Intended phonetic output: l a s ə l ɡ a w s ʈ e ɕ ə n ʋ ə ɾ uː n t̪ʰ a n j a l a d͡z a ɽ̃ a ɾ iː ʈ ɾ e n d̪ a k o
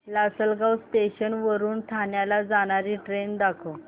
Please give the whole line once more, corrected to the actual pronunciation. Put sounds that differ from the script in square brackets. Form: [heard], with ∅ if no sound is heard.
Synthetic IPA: l a s ə l ɡ a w s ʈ e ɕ ə n ʋ ə ɾ uː n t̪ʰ a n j a l a d͡z a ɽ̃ a ɾ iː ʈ ɾ e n d̪ a [kʰ] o